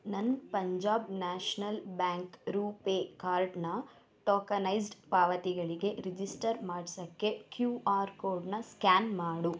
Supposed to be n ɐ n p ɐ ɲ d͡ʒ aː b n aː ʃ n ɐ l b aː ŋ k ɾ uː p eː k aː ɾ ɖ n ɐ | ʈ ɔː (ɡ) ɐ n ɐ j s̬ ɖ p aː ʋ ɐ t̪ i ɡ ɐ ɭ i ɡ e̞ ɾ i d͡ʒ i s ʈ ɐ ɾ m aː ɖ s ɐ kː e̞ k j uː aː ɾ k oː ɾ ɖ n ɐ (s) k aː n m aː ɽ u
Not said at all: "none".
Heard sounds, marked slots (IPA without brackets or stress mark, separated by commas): k, s